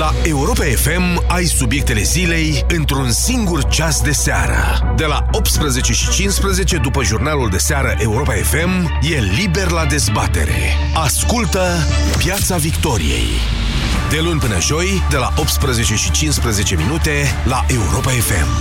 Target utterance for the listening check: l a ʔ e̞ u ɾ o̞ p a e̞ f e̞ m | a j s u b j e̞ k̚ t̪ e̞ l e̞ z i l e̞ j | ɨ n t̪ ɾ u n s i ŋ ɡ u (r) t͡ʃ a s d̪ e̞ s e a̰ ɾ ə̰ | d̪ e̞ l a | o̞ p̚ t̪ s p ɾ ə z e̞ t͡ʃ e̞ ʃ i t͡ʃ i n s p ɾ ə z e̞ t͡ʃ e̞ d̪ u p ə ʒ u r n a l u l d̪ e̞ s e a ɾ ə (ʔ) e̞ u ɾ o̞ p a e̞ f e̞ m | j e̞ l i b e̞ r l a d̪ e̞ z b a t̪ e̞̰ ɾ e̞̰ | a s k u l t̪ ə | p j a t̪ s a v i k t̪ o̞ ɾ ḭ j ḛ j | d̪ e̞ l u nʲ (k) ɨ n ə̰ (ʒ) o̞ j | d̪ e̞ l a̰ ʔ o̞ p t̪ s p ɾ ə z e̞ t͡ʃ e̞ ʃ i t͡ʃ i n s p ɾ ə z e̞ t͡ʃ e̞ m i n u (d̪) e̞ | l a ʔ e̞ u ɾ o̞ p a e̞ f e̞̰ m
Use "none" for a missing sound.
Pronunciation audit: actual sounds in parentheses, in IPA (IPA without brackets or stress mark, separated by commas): r, ʔ, p, ʒ, t̪